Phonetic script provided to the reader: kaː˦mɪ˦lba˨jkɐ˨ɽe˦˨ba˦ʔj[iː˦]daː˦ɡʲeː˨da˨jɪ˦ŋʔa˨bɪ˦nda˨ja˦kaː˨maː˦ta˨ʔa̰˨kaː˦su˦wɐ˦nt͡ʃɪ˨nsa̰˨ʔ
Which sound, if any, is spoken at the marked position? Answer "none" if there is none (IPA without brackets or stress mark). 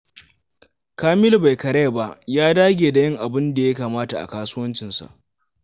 aː˦